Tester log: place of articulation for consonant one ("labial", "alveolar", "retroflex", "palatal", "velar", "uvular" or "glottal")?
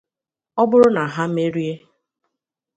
labial